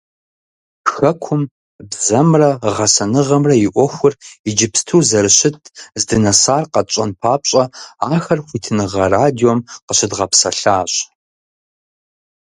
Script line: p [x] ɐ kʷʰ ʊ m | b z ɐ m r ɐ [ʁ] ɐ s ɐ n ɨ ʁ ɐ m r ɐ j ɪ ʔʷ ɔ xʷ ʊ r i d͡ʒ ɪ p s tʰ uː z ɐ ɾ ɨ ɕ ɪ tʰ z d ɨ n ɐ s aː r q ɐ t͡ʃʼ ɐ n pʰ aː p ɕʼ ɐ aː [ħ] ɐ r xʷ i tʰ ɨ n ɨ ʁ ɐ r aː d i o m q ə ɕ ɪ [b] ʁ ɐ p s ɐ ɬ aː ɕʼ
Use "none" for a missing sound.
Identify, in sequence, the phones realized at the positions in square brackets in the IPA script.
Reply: x, ʁ, x, d

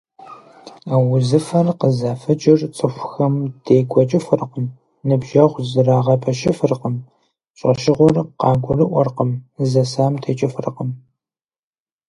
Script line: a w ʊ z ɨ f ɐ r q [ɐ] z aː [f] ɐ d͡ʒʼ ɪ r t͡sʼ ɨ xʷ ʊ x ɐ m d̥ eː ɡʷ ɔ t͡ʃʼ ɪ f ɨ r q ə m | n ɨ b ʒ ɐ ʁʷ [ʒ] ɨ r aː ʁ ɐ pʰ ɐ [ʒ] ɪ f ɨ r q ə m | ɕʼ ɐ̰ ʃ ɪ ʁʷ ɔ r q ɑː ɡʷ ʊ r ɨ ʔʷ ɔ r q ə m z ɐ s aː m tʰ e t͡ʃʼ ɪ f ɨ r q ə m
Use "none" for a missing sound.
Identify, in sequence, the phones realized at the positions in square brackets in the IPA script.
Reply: ə, f, z, ʃ

